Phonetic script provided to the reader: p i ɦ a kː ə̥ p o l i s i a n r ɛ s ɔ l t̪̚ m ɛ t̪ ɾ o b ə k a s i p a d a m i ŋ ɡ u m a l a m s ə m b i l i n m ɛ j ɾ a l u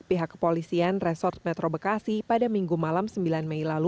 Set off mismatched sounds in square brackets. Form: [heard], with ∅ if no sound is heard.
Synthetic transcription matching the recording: p i ɦ a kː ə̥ p o l i s i a n r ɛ s ɔ [r] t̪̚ m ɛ t̪ ɾ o b ə k a s i p a d a m i ŋ ɡ u m a l a m s ə m b i l [a] n m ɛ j [l] a l u